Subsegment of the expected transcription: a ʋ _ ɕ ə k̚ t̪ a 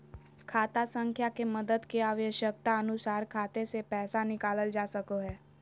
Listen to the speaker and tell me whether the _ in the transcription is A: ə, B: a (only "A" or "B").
A